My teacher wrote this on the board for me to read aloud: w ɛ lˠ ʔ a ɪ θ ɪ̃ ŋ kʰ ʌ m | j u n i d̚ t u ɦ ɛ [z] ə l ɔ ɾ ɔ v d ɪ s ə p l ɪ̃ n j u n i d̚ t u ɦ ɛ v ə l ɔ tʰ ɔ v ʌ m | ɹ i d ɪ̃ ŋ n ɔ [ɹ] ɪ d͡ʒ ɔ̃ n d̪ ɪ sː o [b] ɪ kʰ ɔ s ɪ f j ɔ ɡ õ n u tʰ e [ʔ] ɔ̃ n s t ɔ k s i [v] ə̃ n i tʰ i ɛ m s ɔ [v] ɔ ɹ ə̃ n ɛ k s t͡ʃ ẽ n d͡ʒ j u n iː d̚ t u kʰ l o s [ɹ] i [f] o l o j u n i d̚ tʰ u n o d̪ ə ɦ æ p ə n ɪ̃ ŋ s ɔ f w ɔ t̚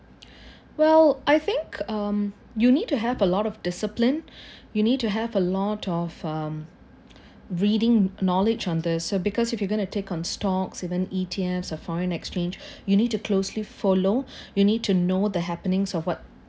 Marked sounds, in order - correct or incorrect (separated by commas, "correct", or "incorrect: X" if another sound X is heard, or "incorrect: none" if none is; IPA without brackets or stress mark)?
incorrect: v, incorrect: l, correct, incorrect: k, correct, incorrect: f, incorrect: l, correct